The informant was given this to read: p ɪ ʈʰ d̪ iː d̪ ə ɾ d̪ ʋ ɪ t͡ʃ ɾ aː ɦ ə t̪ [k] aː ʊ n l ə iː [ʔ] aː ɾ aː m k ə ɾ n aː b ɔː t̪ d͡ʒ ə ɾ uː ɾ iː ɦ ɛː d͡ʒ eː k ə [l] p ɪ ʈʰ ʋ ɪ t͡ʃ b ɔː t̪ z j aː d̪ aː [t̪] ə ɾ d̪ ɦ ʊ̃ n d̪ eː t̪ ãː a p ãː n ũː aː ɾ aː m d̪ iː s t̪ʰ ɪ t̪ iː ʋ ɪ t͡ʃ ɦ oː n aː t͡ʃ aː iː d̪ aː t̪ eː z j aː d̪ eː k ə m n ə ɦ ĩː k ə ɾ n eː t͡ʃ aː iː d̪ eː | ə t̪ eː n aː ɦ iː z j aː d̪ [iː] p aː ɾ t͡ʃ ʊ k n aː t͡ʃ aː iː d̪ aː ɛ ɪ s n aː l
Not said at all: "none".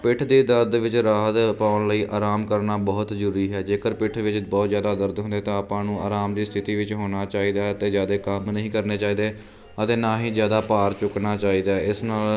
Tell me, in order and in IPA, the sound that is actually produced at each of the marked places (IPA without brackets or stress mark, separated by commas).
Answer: p, ʔ, ɾ, d̪, aː